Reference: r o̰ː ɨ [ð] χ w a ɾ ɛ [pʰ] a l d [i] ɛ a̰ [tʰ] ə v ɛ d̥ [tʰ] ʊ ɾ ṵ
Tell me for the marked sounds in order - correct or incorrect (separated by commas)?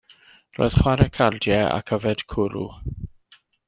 correct, incorrect, incorrect, incorrect, incorrect